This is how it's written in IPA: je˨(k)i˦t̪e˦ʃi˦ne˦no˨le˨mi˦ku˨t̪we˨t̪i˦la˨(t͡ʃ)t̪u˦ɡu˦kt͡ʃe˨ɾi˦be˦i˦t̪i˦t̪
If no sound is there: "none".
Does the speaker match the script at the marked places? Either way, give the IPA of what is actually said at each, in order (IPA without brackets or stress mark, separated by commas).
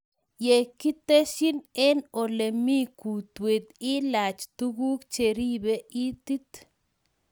k, t͡ʃ